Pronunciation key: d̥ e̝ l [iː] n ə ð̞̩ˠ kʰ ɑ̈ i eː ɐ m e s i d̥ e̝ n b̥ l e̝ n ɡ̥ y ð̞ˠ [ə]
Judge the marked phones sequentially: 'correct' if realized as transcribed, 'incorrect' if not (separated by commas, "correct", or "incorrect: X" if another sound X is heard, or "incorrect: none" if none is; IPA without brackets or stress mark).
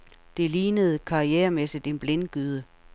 correct, correct